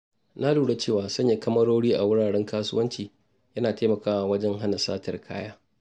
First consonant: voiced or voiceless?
voiced